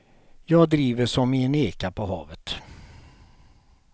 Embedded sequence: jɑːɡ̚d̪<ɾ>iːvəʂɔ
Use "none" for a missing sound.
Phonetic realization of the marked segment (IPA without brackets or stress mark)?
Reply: ɾ